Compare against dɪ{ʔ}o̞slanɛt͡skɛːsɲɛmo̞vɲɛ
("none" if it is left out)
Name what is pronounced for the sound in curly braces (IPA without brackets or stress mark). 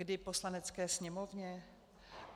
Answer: p